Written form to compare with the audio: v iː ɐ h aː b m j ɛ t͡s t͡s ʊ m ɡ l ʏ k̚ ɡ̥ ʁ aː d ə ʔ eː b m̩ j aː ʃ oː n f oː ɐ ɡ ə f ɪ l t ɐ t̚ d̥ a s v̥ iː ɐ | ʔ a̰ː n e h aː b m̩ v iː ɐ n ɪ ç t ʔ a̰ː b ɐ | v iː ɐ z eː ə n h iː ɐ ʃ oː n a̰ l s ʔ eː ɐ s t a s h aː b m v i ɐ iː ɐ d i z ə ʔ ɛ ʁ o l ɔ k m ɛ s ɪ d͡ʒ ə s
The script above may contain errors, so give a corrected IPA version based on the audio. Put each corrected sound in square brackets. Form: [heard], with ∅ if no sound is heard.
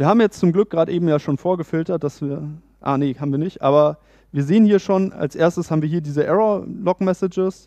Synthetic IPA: v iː ɐ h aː b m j ɛ t͡s t͡s ʊ m ɡ l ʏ k̚ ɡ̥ ʁ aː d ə ʔ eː b m̩ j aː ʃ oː n f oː ɐ ɡ ə f ɪ l t ɐ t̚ d̥ a s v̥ iː ɐ | ʔ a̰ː n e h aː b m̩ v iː ɐ n ɪ ç t ʔ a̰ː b ɐ | v iː ɐ z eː ə n h iː ɐ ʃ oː n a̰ l s ʔ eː ɐ s t [ə] s h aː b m v i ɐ iː ɐ d [iː] z ə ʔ ɛ ʁ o l ɔ k m ɛ s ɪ d͡ʒ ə s